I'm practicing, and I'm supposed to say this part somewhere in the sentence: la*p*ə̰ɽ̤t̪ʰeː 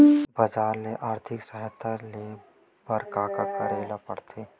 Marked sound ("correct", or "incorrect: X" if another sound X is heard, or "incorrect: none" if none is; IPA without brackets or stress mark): correct